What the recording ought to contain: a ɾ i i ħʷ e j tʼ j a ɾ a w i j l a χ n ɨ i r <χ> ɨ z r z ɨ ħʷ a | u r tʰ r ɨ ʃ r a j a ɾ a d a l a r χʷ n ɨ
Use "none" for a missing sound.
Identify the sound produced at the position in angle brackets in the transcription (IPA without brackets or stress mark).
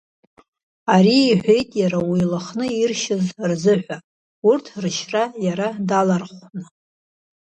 ʃ